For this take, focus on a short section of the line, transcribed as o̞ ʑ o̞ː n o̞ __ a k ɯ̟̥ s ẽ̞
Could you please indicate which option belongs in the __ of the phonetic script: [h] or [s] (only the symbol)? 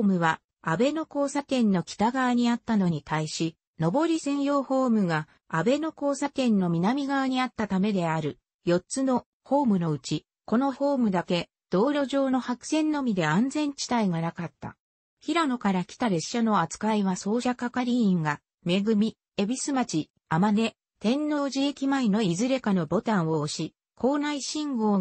h